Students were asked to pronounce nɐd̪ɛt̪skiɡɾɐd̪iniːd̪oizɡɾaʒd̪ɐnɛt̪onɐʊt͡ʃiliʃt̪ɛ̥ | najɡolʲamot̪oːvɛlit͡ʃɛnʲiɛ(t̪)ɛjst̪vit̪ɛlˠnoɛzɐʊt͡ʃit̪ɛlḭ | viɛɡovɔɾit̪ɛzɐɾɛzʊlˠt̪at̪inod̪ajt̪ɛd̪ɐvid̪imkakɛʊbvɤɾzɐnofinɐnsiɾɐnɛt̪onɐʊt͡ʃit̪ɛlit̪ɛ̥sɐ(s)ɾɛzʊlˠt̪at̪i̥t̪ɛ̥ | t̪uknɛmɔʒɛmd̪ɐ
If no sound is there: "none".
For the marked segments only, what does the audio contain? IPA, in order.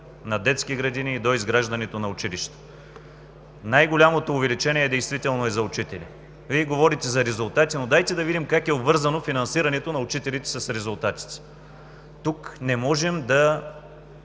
d̪, s

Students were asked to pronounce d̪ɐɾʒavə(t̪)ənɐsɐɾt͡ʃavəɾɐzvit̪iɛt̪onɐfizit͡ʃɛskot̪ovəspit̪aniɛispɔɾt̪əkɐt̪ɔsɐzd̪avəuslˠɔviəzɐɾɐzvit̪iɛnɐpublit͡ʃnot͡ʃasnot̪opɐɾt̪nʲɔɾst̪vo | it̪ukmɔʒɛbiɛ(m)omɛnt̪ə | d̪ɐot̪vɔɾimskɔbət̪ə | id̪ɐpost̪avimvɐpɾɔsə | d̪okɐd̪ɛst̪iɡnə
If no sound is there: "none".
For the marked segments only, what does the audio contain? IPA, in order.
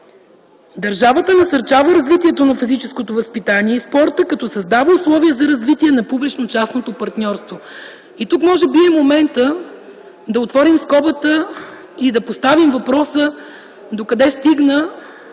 t̪, m

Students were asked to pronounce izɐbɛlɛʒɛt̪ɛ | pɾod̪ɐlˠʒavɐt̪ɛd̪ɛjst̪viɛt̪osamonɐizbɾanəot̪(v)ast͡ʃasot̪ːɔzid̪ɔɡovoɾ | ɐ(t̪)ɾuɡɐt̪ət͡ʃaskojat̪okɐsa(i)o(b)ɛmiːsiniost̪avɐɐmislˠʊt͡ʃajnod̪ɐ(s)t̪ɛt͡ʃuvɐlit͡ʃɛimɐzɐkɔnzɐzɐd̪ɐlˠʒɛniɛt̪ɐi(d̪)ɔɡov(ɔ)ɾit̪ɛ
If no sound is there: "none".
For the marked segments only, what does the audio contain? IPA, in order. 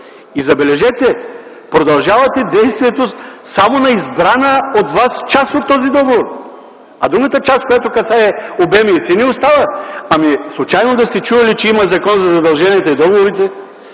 v, d̪, ɛ, b, s, d̪, o

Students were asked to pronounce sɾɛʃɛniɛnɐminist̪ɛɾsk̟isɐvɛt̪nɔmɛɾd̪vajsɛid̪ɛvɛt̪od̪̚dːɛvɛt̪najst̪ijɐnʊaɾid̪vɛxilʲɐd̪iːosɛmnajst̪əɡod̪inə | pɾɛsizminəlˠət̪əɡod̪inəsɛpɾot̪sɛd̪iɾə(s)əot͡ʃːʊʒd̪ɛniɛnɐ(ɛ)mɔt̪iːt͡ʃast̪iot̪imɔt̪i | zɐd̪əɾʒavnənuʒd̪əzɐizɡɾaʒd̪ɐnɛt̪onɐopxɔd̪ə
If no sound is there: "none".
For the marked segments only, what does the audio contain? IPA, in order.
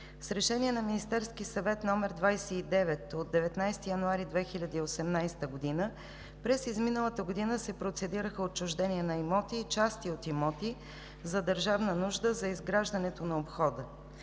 x, i

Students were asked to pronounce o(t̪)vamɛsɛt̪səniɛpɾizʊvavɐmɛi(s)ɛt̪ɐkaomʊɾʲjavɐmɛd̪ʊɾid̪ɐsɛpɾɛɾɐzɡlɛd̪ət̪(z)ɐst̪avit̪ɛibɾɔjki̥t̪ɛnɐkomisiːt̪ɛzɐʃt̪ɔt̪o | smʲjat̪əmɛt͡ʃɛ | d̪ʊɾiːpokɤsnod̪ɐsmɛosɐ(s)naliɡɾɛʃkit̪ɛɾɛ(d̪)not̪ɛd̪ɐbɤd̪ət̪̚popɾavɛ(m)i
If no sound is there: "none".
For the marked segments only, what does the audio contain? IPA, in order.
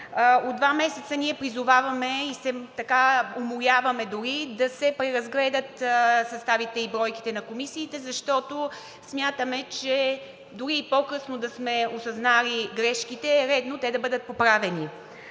d̪, s, s, z, d̪, n

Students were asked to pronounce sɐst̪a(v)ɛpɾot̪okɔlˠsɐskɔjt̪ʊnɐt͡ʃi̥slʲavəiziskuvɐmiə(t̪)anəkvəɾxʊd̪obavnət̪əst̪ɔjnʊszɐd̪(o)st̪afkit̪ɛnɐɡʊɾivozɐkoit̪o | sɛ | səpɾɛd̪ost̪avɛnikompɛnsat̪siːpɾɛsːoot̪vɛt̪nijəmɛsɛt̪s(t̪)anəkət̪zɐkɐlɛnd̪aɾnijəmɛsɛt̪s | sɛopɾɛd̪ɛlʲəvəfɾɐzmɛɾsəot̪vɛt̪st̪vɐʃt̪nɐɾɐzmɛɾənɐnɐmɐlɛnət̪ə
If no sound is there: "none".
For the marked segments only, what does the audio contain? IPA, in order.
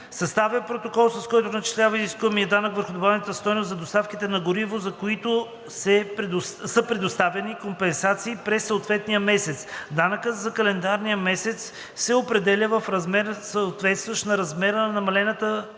v, d̪, o, d̪

